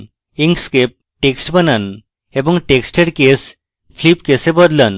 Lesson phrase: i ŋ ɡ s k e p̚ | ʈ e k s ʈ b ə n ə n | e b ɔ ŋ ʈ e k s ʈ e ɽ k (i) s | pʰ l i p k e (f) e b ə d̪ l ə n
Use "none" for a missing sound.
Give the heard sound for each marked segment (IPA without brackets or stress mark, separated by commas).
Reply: e, s